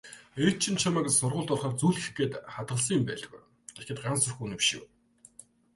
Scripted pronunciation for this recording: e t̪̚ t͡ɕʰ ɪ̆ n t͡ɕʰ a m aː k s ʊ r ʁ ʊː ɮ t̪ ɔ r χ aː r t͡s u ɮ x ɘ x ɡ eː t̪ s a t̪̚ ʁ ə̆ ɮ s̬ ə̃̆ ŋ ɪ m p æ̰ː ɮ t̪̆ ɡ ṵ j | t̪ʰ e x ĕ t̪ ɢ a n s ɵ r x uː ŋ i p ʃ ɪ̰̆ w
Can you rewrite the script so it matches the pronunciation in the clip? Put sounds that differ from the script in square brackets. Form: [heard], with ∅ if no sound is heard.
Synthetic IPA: e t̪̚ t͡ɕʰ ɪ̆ n t͡ɕʰ a m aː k s ʊ r ʁ ʊː ɮ t̪ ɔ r χ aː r t͡s u ɮ x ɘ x ɡ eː t̪ [χ] a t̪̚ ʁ ə̆ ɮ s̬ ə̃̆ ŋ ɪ m p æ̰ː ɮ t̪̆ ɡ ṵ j | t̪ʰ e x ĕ t̪ ɢ a n s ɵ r x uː [n] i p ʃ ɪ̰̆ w